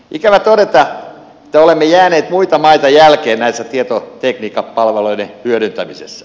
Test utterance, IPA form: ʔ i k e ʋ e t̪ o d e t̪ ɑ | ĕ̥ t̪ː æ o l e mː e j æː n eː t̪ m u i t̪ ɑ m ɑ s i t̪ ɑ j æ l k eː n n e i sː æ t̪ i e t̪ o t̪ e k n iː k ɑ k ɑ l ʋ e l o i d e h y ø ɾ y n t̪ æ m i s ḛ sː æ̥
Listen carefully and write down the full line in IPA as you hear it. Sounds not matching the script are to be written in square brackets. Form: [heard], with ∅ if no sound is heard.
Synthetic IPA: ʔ i k [æ] ʋ [æ] t̪ o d e t̪ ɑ | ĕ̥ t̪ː æ o l e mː e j æː n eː t̪ m u i t̪ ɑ m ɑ [∅] i t̪ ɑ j æ l k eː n n [æ] i sː æ t̪ i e t̪ o t̪ e k n iː k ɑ [p] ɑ l ʋ e l o i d e h y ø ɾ y n t̪ æ m i s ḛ sː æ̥